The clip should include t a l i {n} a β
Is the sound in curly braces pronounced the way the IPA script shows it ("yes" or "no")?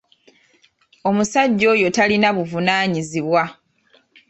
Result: yes